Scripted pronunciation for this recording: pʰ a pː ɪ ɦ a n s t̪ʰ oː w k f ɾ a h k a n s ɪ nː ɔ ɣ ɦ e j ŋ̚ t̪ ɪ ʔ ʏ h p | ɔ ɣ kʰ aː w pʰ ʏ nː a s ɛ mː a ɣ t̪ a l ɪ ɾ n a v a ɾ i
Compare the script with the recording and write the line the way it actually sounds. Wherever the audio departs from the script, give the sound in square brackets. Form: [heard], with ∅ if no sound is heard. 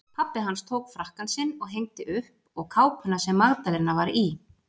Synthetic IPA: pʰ a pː ɪ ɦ a n s t̪ʰ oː w k f ɾ a h k a n s ɪ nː ɔ ɣ ɦ e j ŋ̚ t̪ ɪ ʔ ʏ h p | ɔ ɣ kʰ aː w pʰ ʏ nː a s ɛ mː a ɣ t̪ a l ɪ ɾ n a v a ɾ i

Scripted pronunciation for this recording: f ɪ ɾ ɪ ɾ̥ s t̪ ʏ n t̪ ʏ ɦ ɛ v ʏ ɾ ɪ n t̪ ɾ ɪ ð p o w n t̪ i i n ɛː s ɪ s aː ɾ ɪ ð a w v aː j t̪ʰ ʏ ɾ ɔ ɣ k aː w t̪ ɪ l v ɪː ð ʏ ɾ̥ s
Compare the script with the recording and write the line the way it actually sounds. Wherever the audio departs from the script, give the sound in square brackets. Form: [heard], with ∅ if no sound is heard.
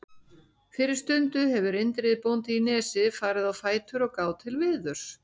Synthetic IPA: f ɪ ɾ ɪ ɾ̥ s t̪ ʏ n t̪ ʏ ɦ ɛ v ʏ ɾ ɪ n t̪ ɾ ɪ ð p o w n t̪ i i n ɛː s ɪ [f] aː ɾ ɪ ð a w [f] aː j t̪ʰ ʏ ɾ ɔ ɣ k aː w [t̪ʰ] ɪ l v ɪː ð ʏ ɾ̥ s

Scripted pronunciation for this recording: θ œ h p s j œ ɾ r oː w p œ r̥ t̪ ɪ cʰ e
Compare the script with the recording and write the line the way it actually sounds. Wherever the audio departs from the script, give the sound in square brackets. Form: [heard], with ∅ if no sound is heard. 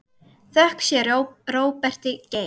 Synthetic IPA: θ œ h [k] s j [ɛ] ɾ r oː w p [ɛ] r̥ t̪ ɪ [c] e

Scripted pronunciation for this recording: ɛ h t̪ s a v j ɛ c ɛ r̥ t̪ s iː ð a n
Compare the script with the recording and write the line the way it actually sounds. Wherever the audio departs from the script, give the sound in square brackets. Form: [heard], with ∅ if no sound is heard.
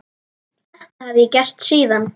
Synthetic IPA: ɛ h t̪ [h] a v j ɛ c ɛ r̥ t̪ s iː ð a n

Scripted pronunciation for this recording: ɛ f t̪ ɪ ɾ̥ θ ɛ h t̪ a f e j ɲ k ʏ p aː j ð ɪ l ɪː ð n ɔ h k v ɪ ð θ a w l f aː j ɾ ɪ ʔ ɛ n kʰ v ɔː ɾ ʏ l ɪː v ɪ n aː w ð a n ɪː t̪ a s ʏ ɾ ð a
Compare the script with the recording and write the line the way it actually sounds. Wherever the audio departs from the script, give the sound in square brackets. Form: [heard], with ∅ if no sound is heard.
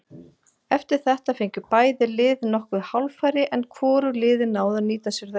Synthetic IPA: ɛ f t̪ ɪ ɾ̥ θ ɛ h t̪ a f e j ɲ [c] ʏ p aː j ð ɪ l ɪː ð n ɔ h k v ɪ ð [h] a w l f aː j ɾ ɪ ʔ ɛ n kʰ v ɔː ɾ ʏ l ɪː [ð] ɪ n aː w ð a n [iː] t̪ a s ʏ ɾ ð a

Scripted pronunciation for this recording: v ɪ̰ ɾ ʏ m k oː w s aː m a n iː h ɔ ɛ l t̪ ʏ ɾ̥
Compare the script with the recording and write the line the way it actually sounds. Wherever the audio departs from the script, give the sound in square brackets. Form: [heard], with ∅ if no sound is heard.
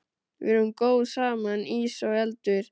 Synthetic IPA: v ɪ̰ ɾ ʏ m k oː w s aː m a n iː [s] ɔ ɛ l t̪ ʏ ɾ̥

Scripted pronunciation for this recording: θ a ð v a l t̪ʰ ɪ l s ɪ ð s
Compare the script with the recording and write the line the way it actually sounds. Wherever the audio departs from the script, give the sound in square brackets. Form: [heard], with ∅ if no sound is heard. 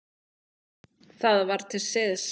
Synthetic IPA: θ a ð v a [ɾ] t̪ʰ ɪ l s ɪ ð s

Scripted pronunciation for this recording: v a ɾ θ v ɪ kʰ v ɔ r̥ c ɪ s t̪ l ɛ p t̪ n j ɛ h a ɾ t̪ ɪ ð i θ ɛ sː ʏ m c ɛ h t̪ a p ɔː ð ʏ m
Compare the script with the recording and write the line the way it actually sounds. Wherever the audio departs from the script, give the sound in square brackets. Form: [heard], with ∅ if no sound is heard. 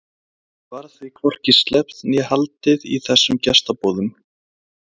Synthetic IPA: v a ɾ θ v ɪ kʰ v ɔ r̥ c ɪ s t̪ l ɛ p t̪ n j ɛ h a [l] t̪ ɪ ð i θ ɛ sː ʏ m c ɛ [s] t̪ a p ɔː ð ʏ m

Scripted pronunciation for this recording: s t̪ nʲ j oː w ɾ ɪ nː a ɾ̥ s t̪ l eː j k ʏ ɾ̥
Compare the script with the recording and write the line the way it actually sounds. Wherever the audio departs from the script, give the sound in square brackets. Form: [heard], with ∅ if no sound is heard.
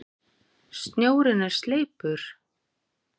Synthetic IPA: s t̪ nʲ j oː w ɾ ɪ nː a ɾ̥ s t̪ l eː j [p] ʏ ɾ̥

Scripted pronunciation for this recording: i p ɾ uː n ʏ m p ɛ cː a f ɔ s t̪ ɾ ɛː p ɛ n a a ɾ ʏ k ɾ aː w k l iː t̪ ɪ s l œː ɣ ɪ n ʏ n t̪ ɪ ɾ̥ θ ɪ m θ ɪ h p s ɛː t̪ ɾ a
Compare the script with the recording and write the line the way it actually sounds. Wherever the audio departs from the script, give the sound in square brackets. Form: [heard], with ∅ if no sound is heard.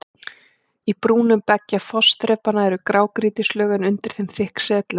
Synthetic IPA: i p ɾ uː n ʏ m p ɛ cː a f ɔ s t̪ ɾ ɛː p [a] n a [ɛ] ɾ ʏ k ɾ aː w k [ɾ] iː t̪ ɪ s l œː ɣ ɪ n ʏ n t̪ ɪ ɾ̥ θ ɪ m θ ɪ h [k] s ɛː t̪ [l] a

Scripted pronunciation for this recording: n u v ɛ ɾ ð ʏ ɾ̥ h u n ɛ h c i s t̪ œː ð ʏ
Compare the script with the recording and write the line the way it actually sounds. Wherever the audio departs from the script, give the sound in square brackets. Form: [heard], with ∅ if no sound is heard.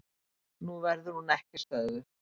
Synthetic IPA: n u v ɛ ɾ ð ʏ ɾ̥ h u n ɛ h c [ɪ] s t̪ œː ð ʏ

